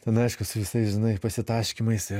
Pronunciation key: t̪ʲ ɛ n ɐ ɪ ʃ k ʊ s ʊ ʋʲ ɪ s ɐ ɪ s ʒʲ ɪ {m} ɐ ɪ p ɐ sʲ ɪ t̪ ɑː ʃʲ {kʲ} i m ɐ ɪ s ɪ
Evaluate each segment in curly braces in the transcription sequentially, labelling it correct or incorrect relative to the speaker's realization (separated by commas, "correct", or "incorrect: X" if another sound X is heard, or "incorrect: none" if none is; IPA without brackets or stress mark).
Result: incorrect: n, correct